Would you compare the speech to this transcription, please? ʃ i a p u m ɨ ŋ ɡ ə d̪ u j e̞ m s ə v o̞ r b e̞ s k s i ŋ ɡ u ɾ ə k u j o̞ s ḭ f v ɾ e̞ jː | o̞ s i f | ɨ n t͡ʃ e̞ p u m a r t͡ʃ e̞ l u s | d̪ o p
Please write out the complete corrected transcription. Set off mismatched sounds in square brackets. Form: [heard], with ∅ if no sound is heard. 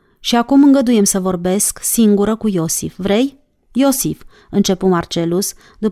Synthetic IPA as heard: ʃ i a [k] u m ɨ ŋ ɡ ə d̪ u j e̞ m s ə v o̞ r b e̞ s k s i ŋ ɡ u ɾ ə k u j o̞ s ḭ f v ɾ e̞ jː | o̞ s i f | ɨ n t͡ʃ e̞ p u m a r t͡ʃ e̞ l u s | d̪ [u] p